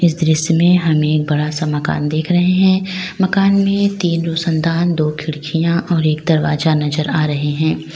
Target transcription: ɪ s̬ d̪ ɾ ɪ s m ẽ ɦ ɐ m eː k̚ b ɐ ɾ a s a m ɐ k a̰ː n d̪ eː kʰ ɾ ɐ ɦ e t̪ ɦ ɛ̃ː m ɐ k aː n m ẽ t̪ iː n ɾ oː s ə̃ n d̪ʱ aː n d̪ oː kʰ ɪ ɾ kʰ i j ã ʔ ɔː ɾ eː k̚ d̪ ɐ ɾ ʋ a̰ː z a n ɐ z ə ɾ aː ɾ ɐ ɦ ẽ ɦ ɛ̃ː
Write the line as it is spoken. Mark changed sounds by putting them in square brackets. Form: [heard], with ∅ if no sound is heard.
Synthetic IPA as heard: ɪ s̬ d̪ ɾ ɪ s m ẽ ɦ ɐ m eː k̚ b ɐ [ɽ] a s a m ɐ k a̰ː n d̪ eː kʰ ɾ ɐ ɦ e [∅] ɦ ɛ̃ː m ɐ k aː n m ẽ t̪ iː n ɾ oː s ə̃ n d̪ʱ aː n d̪ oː kʰ ɪ [ɽ] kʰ i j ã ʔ ɔː ɾ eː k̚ d̪ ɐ ɾ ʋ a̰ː z a n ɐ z ə ɾ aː ɾ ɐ ɦ [e] ɦ ɛ̃ː